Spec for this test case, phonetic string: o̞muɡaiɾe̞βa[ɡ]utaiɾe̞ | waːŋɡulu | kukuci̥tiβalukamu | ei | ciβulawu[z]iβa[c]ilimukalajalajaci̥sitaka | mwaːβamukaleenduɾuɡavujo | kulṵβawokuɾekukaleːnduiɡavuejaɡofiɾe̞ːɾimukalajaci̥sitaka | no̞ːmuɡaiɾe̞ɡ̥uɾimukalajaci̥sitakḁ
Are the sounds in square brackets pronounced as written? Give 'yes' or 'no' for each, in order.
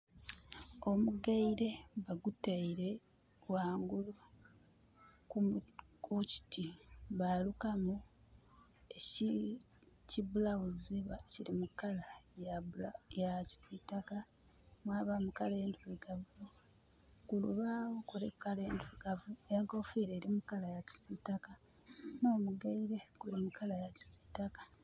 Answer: yes, yes, yes

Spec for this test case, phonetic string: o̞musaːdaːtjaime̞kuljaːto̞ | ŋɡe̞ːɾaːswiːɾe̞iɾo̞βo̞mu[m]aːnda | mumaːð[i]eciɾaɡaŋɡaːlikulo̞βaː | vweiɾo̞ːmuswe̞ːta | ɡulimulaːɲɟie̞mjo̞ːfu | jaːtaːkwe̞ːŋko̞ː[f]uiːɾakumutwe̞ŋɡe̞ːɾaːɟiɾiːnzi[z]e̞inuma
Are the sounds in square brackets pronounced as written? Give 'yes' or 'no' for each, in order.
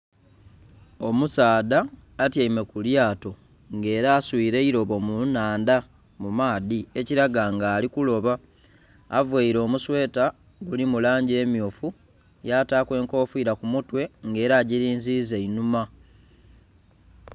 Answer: no, yes, yes, yes

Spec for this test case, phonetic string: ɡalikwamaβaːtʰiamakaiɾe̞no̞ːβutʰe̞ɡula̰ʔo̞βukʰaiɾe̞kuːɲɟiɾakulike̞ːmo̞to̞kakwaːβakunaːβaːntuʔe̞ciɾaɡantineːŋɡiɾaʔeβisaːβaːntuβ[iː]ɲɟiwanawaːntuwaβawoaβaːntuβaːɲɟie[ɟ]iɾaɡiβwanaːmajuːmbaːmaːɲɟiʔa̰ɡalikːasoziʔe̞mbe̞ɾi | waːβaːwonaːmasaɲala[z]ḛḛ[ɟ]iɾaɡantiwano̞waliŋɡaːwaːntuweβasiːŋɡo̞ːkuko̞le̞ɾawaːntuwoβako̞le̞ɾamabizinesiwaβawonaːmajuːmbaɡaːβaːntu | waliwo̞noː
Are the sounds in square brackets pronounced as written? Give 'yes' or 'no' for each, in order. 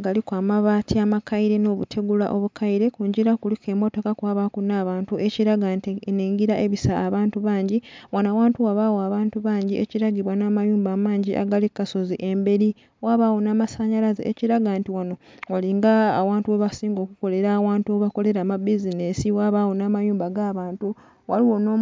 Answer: no, no, yes, no

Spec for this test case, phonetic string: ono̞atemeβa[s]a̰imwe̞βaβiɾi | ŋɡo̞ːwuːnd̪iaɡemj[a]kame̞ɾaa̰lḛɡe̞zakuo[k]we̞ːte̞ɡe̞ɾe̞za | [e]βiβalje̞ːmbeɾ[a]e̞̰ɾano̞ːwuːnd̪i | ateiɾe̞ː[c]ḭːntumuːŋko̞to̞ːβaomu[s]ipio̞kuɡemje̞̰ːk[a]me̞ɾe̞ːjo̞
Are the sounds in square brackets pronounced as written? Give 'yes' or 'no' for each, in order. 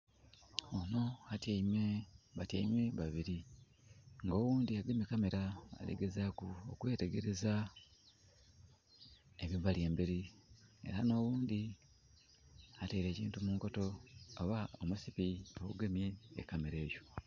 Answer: no, no, yes, yes, no, yes, yes, yes

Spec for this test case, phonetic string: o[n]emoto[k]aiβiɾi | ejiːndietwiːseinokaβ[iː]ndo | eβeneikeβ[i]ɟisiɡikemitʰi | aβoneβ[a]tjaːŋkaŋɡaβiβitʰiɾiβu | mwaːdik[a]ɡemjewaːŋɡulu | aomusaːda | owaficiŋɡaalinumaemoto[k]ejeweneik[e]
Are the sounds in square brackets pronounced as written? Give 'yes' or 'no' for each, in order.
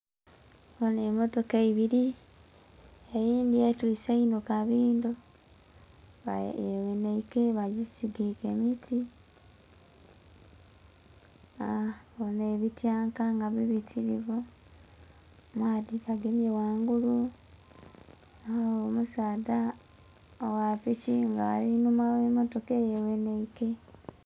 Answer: yes, yes, yes, no, no, yes, yes, yes

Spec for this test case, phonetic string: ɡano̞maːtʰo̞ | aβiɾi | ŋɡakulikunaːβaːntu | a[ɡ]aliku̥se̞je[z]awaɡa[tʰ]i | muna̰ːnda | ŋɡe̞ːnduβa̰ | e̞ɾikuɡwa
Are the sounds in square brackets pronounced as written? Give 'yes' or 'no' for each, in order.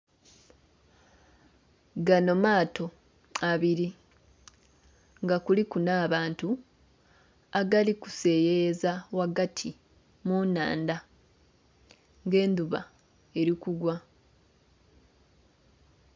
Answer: yes, yes, yes

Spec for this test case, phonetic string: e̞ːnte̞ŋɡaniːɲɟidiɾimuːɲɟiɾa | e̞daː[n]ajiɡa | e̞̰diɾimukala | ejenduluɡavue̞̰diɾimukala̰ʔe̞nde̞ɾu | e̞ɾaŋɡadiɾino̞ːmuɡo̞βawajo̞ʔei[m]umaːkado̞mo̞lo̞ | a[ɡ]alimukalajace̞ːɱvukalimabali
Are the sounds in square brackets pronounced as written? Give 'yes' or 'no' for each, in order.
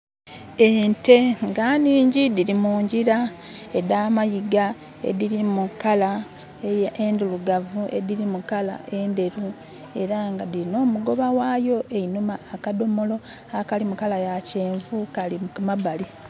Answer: no, no, no

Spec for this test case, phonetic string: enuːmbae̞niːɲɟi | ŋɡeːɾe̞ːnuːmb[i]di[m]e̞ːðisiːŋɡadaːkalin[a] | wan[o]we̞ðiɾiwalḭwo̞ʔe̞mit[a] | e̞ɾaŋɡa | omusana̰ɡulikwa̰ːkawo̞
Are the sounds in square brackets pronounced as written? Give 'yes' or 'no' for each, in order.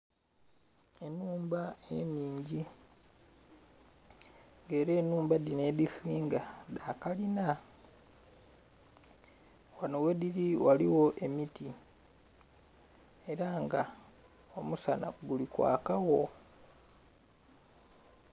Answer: no, no, yes, yes, no

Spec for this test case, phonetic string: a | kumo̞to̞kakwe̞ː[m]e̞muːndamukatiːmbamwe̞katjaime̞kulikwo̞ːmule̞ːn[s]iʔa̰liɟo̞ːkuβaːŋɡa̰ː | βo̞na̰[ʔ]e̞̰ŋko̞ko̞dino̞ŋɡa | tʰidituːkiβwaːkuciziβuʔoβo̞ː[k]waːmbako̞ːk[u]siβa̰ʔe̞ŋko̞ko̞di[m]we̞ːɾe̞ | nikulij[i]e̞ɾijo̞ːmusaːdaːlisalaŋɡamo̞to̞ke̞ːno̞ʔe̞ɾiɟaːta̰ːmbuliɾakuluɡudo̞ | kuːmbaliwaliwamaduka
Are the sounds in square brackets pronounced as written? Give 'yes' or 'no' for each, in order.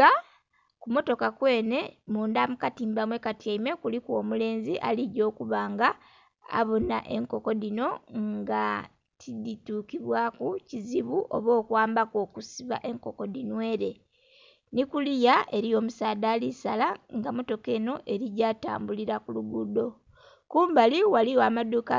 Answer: no, no, yes, yes, yes, no, no

